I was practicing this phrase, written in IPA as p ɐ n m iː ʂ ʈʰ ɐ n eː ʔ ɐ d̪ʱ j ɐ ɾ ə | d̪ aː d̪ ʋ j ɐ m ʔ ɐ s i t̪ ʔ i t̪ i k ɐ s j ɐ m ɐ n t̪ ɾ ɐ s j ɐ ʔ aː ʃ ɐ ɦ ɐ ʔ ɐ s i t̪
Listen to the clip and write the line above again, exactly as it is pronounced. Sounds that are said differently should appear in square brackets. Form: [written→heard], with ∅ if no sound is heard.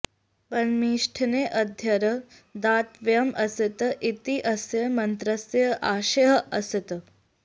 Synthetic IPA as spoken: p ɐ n m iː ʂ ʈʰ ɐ n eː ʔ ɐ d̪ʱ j ɐ ɾ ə | d̪ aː [d̪→t̪] ʋ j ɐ m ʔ ɐ s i t̪ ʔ i t̪ i [k→ʔ] ɐ s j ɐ m ɐ n t̪ ɾ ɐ s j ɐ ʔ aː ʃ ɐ ɦ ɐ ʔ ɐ s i t̪